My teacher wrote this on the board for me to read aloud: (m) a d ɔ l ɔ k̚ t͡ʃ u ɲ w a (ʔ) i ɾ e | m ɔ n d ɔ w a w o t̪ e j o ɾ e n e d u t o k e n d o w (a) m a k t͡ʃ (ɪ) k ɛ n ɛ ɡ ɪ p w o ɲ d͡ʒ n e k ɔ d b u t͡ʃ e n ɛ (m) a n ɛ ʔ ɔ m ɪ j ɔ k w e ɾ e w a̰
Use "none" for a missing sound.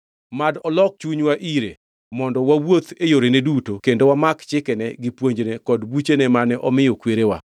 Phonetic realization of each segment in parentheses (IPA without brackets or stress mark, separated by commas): m, ʔ, a, ɪ, m